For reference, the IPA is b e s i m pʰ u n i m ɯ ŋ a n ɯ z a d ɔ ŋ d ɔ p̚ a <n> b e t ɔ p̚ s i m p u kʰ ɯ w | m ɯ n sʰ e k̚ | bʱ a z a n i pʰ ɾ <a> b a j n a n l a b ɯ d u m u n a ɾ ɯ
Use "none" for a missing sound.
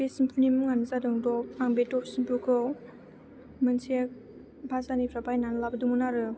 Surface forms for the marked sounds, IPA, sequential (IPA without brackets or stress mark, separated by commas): ŋ, a